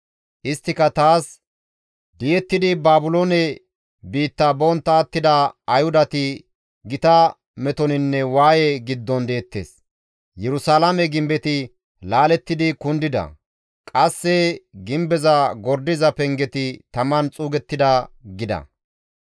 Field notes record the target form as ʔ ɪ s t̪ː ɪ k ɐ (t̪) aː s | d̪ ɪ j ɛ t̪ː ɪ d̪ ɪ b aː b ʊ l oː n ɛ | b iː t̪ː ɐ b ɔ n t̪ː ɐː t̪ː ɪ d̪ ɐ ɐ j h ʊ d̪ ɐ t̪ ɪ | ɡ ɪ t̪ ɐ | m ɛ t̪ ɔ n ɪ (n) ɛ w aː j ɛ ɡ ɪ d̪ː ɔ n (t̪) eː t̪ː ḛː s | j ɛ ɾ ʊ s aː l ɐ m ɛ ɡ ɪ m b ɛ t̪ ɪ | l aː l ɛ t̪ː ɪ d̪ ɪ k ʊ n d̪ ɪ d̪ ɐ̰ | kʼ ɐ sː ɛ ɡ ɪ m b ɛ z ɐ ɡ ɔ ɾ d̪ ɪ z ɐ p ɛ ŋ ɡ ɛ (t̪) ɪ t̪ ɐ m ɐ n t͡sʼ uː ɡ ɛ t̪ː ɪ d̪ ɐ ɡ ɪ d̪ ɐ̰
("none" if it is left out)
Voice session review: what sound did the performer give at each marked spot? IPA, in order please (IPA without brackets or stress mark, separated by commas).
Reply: t̪, nː, d̪, t̪